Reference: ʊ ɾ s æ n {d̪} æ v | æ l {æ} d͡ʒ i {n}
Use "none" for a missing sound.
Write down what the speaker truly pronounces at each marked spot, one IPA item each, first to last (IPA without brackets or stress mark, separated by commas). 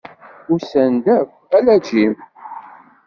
d̪, æ, m